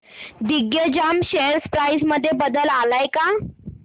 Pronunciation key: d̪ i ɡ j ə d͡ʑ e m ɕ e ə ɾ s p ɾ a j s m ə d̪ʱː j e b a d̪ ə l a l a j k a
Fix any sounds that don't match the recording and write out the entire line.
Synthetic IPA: d̪ i ɡ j ə d͡ʑ a m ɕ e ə ɾ s p ɾ a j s m ə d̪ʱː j e b ə d̪ ə l a l a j k a